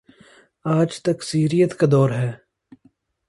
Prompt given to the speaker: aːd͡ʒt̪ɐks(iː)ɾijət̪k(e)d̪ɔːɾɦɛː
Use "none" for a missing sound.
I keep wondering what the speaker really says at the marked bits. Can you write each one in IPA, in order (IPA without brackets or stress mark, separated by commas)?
iː, a